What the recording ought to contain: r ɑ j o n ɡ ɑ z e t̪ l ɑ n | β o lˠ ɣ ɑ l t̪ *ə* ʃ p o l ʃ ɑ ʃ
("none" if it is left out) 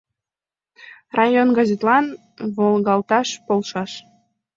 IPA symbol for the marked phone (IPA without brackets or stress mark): ɑ